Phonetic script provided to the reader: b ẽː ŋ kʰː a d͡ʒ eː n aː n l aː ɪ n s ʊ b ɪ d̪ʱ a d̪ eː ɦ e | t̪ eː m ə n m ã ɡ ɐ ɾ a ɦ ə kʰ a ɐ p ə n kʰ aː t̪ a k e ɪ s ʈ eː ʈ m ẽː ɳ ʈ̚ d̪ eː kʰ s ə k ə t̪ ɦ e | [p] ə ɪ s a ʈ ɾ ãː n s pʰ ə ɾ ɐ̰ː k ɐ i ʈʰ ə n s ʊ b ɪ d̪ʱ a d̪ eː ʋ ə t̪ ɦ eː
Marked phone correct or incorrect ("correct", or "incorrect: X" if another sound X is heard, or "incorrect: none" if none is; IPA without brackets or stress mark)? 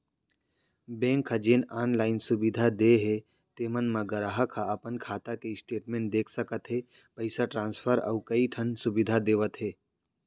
correct